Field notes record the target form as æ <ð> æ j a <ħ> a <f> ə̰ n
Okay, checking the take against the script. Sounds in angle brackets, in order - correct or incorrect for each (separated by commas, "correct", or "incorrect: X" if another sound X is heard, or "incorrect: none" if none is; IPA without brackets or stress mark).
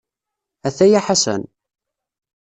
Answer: incorrect: θ, correct, incorrect: s